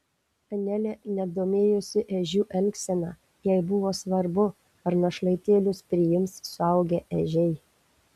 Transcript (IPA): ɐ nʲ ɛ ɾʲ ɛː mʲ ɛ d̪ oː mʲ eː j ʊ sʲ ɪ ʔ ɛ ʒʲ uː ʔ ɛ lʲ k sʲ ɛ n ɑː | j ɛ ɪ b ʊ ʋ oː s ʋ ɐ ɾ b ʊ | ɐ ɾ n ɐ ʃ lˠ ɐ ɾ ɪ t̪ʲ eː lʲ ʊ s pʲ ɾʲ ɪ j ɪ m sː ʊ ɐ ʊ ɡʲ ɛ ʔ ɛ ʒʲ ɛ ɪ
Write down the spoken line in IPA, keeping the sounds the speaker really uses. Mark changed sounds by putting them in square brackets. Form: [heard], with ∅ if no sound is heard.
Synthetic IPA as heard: ɐ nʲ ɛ [lʲ] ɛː [nʲ] ɛ d̪ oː mʲ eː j ʊ sʲ ɪ ʔ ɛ ʒʲ uː ʔ ɛ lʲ k sʲ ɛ n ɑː | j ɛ ɪ b ʊ ʋ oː s ʋ ɐ ɾ b ʊ | ɐ ɾ n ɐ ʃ lˠ ɐ [∅] ɪ t̪ʲ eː lʲ ʊ s pʲ ɾʲ ɪ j ɪ m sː ʊ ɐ ʊ ɡʲ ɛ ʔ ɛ ʒʲ ɛ ɪ